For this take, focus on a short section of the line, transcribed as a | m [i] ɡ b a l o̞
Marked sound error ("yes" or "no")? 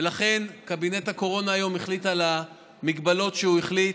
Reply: no